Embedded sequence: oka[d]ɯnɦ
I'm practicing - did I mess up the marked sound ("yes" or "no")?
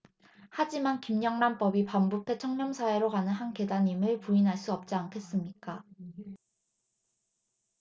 yes